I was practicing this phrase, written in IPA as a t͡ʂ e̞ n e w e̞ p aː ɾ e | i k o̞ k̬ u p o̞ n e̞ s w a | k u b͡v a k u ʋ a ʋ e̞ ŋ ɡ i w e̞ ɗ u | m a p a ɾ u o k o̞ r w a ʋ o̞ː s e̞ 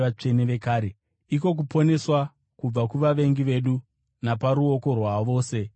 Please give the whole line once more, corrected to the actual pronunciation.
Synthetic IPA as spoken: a t͡ʂ e̞ n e ʋ e̞ k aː ɾ e | i k o̞ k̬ u p o̞ n e̞ s w a | k u b͡v a k u ʋ a ʋ e̞ ŋ ɡ i ʋ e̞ ɗ u | n a p a ɾ u o k o̞ r w a ʋ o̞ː s e̞